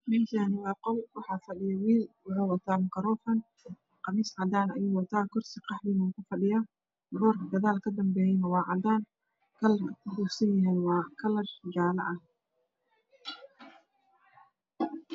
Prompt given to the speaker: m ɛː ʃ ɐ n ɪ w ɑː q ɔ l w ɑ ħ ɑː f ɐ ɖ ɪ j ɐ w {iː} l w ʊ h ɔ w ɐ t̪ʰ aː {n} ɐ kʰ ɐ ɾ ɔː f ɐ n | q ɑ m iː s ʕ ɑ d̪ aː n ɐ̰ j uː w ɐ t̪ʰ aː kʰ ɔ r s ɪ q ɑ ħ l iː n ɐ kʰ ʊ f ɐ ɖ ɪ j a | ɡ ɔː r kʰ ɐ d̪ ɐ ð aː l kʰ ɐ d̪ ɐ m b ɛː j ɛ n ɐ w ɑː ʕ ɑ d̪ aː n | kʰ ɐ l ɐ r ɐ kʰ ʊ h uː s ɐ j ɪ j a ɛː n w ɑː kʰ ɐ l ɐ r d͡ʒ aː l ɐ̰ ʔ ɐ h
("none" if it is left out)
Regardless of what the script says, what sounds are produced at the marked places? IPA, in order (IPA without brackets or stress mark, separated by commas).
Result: iː, m